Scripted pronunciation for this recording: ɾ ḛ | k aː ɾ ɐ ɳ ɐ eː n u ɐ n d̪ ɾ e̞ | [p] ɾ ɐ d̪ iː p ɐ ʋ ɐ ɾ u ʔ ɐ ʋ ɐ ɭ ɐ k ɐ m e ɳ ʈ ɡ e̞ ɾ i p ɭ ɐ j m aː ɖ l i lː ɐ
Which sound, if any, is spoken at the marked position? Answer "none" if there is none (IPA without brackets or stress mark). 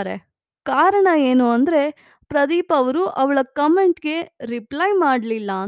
p